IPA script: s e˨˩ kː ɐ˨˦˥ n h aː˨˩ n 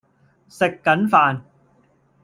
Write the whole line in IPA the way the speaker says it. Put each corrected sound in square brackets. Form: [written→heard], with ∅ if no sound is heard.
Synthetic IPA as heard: s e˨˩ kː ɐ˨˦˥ n [h→f] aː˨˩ n